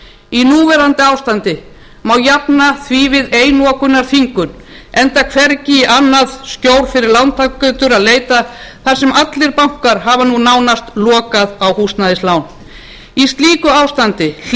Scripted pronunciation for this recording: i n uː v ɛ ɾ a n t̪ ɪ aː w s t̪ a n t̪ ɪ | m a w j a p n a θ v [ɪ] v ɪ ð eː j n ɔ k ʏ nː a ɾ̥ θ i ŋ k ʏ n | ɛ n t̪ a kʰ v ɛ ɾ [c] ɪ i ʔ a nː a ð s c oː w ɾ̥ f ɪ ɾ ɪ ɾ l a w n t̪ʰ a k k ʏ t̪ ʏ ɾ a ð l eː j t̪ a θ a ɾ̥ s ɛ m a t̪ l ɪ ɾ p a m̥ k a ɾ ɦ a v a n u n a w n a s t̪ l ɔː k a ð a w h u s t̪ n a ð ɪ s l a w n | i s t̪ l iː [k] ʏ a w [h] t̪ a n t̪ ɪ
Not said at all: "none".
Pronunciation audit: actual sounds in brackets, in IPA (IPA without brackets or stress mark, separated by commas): i, c, k, s